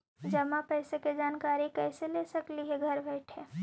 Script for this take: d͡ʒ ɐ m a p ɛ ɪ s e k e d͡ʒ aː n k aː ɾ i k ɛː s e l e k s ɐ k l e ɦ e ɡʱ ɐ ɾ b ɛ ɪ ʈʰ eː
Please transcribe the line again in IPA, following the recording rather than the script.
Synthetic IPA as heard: d͡ʒ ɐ m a p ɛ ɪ s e k e d͡ʒ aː n k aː ɾ i k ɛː s e l e s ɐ k l i ɦ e ɡʱ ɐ ɾ b ɛ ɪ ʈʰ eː